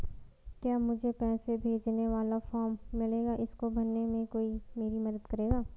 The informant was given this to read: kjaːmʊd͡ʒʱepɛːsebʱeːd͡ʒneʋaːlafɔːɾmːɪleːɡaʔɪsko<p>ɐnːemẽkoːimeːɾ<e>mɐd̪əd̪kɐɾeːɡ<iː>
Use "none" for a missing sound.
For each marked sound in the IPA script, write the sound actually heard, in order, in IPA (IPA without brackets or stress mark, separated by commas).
b, i, aː